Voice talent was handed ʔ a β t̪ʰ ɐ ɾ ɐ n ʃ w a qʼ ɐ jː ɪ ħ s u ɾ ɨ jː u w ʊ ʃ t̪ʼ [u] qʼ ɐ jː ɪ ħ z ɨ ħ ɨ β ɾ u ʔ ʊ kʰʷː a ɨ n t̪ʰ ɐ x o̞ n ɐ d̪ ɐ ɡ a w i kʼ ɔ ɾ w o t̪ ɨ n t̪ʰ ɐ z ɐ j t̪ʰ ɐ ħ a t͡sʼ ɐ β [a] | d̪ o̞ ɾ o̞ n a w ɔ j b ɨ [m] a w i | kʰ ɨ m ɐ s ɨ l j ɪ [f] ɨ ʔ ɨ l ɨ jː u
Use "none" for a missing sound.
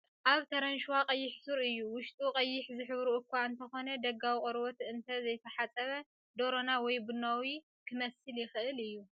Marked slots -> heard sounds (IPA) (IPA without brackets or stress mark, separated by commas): u, ɐ, n, x